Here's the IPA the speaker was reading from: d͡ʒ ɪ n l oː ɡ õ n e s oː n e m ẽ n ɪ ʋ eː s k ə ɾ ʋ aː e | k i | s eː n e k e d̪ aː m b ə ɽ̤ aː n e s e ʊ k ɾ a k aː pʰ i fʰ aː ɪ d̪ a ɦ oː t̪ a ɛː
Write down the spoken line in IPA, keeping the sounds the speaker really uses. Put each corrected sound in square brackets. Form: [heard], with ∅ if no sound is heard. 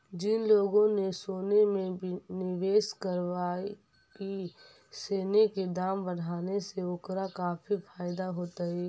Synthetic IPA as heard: d͡ʒ ɪ n l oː ɡ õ n e s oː n e m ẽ n ɪ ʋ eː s k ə ɾ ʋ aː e | k i | s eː n e k e d̪ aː m b ə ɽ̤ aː n e s e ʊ k ɾ a k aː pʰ i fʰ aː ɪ d̪ a ɦ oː t̪ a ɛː